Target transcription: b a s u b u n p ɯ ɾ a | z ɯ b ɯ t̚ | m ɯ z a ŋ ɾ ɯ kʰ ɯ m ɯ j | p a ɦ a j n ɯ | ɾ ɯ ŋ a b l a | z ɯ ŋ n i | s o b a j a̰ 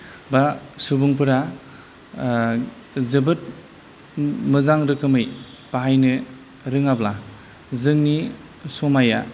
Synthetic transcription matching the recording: b a s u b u ŋ p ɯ ɾ a | z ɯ b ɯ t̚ | m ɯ z a ŋ ɾ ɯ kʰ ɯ m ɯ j | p a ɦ a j n ɯ | ɾ ɯ ŋ a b l a | z ɯ ŋ n i | s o m a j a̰